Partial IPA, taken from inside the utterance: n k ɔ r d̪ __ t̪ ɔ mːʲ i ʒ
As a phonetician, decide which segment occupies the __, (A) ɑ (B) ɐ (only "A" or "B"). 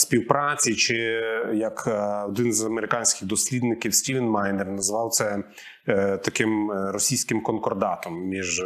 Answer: A